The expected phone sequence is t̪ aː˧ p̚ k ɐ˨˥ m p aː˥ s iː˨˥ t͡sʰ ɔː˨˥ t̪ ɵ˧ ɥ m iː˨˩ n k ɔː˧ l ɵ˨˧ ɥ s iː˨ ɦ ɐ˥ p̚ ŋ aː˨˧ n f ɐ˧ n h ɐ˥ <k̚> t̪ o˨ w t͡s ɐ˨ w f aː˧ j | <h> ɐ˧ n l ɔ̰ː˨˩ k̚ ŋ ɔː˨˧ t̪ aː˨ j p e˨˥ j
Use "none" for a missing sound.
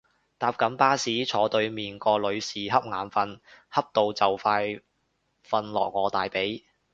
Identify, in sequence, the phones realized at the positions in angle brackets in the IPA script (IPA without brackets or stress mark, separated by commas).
p̚, f